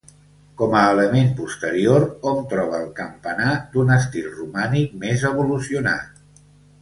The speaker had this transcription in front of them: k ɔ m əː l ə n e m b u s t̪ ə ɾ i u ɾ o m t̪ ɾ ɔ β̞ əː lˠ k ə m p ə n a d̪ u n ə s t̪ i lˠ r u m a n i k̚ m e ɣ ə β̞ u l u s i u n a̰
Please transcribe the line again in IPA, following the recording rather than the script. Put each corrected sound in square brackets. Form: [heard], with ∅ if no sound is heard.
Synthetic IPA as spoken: k ɔ m əː l ə [m] e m [p] u s t̪ ə ɾ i [o] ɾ o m t̪ ɾ ɔ β̞ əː lˠ k ə m p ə n a d̪ u n ə s t̪ i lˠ r u m a n i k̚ m e [z] ə β̞ u l u s i u n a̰